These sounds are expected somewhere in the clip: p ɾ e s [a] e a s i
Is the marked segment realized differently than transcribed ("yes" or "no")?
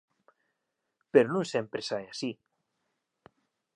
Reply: no